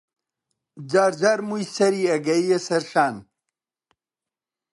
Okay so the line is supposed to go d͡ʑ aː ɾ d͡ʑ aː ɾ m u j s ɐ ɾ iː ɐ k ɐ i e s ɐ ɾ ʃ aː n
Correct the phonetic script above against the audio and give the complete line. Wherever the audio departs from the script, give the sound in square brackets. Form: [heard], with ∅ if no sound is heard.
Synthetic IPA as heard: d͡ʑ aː ɾ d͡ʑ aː ɾ m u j s ɐ ɾ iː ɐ [ɡ] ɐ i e s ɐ ɾ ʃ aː n